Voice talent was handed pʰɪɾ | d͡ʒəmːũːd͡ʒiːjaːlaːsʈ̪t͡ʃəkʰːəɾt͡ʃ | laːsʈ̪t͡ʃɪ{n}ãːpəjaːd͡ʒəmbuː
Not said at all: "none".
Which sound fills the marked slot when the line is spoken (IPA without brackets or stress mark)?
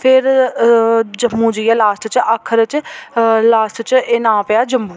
n